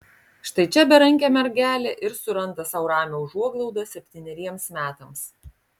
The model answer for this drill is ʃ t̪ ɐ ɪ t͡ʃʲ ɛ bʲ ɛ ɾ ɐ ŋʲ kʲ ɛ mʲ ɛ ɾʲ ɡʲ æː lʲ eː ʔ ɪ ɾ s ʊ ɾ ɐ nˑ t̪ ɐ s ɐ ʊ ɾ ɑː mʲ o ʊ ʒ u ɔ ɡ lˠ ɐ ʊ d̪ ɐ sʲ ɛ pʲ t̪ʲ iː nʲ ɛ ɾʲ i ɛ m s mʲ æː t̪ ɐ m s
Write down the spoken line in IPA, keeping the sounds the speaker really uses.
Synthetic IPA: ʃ t̪ ɐ ɪ t͡ʃʲ ɛ bʲ ɛ ɾ ɐ ŋʲ kʲ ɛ mʲ ɛ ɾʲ ɡʲ æː lʲ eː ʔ ɪ ɾ s ʊ ɾ ɐ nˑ t̪ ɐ s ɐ ʊ ɾ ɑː mʲ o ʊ ʒ u ɔ ɡ lˠ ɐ ʊ d̪ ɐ sʲ ɛ pʲ t̪ʲ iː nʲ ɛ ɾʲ i ɛ m s mʲ æː t̪ ɐ m s